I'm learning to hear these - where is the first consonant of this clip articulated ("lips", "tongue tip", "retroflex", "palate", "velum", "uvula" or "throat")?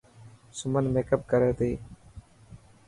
tongue tip